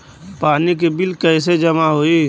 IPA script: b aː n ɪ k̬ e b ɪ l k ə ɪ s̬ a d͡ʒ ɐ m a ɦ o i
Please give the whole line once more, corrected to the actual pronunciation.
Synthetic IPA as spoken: p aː n i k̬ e b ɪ l k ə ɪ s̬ e d͡ʒ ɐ m a ɦ o i

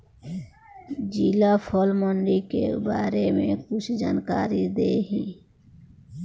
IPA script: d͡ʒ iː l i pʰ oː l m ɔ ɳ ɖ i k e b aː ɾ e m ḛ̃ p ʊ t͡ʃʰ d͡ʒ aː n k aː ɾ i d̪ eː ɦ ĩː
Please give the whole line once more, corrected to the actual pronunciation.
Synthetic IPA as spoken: d͡ʒ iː l a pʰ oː l m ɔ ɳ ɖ i k e b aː ɾ e m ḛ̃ k ʊ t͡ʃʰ d͡ʒ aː n k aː ɾ i d̪ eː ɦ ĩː

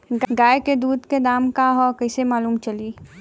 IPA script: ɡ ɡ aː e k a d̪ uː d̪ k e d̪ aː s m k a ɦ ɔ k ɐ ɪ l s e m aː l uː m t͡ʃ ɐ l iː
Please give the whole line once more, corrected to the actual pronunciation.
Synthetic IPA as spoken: ɡ ɡ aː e k e d̪ uː d̪ k e d̪ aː m k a ɦ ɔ k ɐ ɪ s e m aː l uː m t͡ʃ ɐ l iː

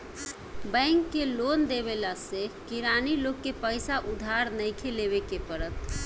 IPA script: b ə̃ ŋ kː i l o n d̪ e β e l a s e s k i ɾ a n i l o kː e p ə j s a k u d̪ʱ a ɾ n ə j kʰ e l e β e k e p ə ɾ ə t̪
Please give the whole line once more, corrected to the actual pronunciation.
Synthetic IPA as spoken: b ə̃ ŋ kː e l o n d̪ e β e l a s e k i ɾ a n i l o kː e p ə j s a ʔ u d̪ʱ a ɾ n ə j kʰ e l e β e k e p ə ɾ ə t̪

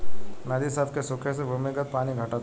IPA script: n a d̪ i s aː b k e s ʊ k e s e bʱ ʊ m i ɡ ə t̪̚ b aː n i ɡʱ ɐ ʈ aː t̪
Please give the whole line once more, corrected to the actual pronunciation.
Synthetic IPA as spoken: n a d̪ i s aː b k e s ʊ kʰ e s e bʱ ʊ m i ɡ ə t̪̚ p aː n i ɡʱ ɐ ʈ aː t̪

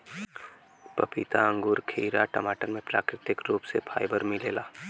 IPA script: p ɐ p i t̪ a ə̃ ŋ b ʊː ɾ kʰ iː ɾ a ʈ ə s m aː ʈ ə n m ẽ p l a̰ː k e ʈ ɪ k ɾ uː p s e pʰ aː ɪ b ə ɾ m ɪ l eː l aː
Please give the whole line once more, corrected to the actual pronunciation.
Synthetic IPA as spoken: p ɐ p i t̪ a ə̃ ŋ ɡ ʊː ɾ kʰ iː ɾ a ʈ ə m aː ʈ ə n m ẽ p l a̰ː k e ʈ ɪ k ɾ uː p s e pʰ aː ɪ b ə ɾ m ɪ l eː l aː

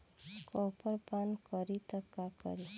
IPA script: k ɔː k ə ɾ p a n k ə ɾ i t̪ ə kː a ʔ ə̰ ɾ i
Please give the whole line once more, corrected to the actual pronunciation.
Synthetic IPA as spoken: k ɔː p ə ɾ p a n k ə ɾ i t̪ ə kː a k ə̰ ɾ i

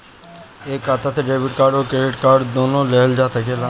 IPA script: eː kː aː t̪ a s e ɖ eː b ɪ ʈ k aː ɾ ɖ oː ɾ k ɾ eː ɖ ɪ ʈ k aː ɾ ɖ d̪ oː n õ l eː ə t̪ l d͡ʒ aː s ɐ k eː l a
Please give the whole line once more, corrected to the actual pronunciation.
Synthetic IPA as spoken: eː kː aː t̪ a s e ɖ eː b ɪ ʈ k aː ɾ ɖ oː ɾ k ɾ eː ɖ ɪ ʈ k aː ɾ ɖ d̪ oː n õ l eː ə l d͡ʒ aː s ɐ k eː l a

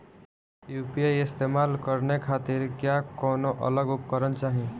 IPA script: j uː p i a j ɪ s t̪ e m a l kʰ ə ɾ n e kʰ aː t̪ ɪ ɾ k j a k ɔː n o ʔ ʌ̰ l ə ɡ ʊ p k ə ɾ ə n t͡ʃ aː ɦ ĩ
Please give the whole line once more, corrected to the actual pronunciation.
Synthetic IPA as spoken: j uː p i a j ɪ s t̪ e m a l k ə ɾ n e kʰ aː t̪ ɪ ɾ k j a k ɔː n o ʔ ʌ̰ l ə ɡ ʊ p k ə ɾ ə n t͡ʃ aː ɦ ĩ

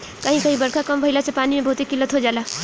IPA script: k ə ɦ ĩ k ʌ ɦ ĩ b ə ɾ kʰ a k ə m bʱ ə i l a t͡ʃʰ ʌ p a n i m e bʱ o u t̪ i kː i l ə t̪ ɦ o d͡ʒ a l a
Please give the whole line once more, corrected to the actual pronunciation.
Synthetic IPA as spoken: k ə ɦ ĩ k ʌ ɦ ĩ b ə ɾ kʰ a k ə m bʱ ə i l a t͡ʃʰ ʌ p a n i m e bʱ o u t̪ i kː i l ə t̪ ɦ o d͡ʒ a l a

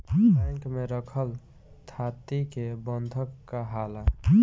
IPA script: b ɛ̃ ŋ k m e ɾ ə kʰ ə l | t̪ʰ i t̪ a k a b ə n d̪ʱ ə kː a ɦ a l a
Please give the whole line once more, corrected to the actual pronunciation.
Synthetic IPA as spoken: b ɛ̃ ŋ k m e ɾ ə kʰ ə l | t̪ʰ a t̪ i k e b ə n d̪ʱ ə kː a ɦ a l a

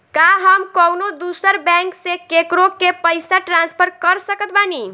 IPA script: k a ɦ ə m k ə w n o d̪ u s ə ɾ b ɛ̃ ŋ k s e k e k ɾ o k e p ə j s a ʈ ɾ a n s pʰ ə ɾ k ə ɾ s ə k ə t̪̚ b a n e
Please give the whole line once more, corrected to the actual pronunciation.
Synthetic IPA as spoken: k a ɦ ə m k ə w n o d̪ u s ə ɾ b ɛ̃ ŋ k s e k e k ɾ o k e p ə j s a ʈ ɾ a n s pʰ ə ɾ k ə ɾ s ə k ə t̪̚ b a n i

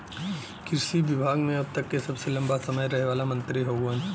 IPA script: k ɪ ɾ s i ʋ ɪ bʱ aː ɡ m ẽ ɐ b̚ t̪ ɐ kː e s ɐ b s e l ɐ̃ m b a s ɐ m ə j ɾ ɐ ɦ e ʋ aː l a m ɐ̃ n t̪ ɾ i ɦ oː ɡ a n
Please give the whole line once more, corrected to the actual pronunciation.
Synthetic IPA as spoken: k ɪ ɾ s i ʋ ɪ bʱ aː ɡ m ẽ ɐ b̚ t̪ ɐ kː e s ɐ b s e l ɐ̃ m b a s ɐ m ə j ɾ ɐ ɦ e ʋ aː l a m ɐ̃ n t̪ ɾ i ɦ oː ɡ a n

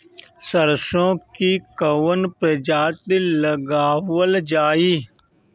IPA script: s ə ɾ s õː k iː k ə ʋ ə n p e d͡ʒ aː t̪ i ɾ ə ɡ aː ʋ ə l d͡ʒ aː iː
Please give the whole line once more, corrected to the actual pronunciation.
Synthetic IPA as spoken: s ə ɾ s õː k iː k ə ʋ ə n p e d͡ʒ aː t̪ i l ə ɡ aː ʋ ə l d͡ʒ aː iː

